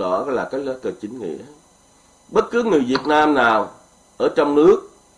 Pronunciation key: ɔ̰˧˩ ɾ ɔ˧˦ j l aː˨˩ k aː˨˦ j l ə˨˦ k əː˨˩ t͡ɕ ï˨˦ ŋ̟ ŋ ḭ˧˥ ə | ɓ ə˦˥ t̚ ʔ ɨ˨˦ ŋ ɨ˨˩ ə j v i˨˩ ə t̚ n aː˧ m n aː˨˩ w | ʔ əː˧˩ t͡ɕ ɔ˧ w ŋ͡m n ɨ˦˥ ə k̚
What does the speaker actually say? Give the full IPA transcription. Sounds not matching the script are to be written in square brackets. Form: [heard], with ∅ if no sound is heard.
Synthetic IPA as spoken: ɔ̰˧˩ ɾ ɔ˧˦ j l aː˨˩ k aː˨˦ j l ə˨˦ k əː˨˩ t͡ɕ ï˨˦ ŋ̟ ŋ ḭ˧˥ ə | ɓ ə˦˥ t̚ [k] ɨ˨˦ ŋ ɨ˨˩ ə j v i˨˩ ə t̚ n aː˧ m n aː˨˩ w | ʔ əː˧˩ t͡ɕ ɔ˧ w ŋ͡m n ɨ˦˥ ə k̚